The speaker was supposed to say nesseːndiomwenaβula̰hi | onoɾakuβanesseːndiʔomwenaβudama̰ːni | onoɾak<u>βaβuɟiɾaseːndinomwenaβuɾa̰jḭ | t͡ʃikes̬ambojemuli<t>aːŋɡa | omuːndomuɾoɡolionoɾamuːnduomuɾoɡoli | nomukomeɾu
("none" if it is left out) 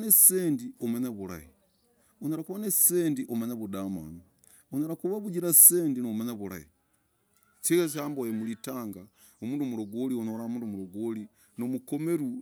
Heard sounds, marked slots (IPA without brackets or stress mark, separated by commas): u, t